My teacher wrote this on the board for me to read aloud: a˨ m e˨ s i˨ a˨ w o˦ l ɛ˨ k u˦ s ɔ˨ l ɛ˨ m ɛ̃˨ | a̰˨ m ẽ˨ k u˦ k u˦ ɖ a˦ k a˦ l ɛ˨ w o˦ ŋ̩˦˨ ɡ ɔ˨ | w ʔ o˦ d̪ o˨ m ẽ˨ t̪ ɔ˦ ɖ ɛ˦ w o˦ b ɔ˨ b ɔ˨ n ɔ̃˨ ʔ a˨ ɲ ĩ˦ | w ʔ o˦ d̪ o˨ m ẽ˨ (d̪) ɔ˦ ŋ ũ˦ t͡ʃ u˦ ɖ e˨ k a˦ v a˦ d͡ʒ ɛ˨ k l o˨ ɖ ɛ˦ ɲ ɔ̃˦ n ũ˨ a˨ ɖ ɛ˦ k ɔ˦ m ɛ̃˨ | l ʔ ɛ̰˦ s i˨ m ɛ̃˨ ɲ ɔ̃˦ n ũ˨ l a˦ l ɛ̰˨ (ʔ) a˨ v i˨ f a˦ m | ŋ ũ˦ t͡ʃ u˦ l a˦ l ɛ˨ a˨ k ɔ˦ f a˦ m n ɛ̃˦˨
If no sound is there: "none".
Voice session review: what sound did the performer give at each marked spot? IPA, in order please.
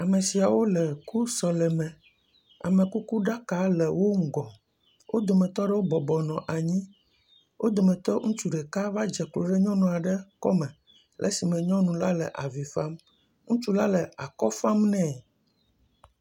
t̪, ʔ

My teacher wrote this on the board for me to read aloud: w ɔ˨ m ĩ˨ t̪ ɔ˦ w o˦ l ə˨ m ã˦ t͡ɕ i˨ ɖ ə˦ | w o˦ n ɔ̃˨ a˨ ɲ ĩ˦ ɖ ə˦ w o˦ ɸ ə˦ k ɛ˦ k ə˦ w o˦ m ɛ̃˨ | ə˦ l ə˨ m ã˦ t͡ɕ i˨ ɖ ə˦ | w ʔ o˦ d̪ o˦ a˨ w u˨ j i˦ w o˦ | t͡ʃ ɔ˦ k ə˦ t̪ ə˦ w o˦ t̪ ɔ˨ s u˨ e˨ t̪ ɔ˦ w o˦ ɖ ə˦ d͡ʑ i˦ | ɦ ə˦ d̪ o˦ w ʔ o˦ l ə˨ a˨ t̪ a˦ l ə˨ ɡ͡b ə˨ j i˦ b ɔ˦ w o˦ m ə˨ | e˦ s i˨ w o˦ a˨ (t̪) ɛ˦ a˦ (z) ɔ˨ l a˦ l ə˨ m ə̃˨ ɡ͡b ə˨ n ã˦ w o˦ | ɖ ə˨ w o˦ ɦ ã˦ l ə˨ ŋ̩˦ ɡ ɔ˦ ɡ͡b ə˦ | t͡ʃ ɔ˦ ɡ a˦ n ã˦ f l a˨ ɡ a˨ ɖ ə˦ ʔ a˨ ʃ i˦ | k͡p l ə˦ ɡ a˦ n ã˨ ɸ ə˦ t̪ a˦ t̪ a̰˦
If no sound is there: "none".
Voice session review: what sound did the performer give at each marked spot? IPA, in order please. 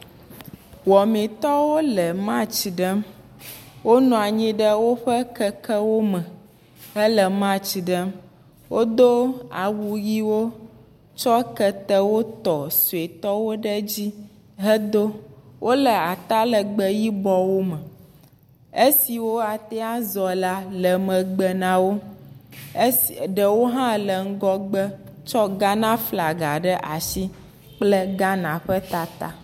t̪, z

